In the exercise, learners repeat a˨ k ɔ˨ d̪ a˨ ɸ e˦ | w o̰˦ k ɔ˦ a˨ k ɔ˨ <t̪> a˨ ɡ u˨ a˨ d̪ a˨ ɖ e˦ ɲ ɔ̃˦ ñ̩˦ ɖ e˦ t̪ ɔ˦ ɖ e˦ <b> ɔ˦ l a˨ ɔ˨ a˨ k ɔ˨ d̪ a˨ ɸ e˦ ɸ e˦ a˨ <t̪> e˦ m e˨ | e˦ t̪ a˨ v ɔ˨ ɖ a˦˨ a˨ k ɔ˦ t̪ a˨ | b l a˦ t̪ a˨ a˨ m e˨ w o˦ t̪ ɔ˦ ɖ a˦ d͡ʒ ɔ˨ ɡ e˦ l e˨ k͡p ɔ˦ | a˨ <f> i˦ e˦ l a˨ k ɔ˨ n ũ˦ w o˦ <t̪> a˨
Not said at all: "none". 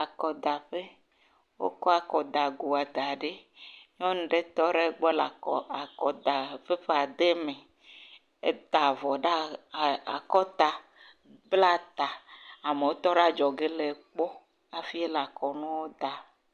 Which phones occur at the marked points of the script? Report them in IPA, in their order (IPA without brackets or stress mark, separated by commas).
d̪, ɡ͡b, d̪, f, d̪